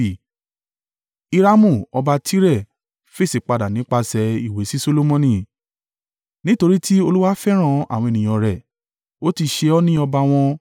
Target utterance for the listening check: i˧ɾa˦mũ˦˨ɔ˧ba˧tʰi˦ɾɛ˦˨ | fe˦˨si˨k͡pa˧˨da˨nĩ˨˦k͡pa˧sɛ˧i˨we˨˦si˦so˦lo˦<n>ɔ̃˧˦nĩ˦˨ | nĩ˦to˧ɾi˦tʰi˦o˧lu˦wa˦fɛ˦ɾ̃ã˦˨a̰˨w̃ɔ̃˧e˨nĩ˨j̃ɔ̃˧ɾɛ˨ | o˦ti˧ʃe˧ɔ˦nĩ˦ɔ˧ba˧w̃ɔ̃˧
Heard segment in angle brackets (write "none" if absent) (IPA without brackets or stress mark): m